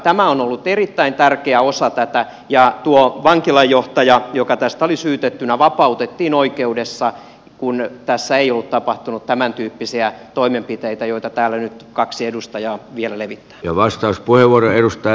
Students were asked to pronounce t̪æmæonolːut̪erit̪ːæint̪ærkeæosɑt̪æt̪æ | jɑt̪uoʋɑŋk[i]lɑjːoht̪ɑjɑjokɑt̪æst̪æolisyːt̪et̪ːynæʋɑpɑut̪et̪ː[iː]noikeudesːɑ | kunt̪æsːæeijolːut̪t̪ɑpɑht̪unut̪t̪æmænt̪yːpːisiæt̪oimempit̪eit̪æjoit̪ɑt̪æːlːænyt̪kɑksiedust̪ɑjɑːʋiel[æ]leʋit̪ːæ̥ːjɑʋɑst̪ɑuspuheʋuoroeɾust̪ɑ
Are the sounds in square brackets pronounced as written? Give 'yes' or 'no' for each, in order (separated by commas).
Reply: yes, yes, yes